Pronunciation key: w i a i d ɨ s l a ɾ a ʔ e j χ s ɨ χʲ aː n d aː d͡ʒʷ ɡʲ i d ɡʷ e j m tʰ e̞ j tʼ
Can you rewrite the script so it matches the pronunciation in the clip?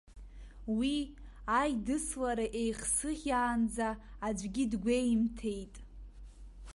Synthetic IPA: w i a j d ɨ s l a ɾ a ʔ e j χ s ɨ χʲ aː n d͡z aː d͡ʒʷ ɡʲ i d ɡʷ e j m tʰ e̞ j tʼ